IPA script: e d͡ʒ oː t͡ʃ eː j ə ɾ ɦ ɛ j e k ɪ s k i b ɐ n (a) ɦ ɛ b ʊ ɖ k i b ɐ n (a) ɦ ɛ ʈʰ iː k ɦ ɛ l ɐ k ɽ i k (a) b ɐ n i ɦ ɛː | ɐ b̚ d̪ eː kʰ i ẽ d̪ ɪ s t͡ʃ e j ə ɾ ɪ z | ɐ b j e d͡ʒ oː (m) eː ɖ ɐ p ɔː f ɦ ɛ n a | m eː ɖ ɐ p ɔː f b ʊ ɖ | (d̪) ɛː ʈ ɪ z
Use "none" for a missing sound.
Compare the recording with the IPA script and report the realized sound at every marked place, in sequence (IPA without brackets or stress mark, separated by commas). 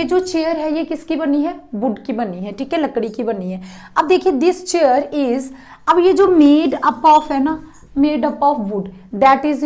i, i, i, m, d̪